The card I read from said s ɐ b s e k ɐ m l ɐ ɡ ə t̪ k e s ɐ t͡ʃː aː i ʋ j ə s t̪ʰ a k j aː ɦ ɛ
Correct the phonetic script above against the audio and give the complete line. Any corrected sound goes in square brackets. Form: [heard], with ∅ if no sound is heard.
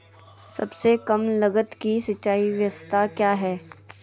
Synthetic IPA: s ɐ b s e k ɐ m l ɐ ɡ ə t̪ k [i] s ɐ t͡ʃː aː i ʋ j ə s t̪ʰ a k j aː ɦ [ɛː]